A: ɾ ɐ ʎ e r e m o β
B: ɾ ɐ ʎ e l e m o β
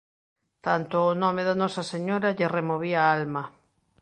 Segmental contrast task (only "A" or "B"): A